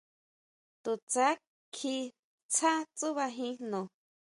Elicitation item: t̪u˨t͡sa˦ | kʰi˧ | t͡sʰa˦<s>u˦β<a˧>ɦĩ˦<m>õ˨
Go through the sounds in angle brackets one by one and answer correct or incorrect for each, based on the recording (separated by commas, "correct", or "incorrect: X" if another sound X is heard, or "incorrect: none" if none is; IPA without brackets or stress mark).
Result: incorrect: t͡s, correct, incorrect: n